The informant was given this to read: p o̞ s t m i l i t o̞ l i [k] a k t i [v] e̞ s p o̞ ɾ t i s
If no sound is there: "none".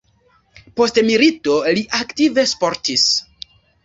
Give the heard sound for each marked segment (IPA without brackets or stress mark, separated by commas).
ʔ, v